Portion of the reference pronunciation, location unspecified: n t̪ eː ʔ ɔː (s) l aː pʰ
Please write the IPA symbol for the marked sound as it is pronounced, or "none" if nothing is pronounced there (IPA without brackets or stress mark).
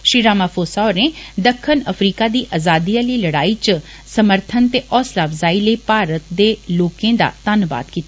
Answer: s